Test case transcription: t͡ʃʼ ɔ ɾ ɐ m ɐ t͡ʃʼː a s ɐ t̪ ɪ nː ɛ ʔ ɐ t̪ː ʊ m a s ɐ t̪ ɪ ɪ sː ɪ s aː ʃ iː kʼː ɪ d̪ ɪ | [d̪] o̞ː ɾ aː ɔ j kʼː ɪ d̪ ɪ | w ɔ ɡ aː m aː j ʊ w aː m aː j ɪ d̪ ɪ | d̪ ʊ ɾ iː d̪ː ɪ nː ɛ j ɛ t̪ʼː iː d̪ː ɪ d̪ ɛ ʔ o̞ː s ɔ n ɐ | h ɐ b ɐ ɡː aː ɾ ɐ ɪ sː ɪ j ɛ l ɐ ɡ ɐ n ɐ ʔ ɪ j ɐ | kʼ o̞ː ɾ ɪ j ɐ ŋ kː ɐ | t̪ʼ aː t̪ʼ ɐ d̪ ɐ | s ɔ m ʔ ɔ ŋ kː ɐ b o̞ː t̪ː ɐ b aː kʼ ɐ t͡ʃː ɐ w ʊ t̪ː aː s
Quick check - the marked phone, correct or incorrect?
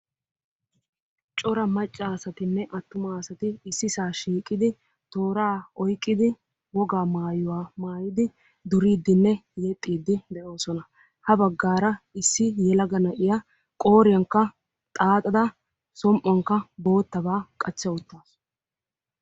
incorrect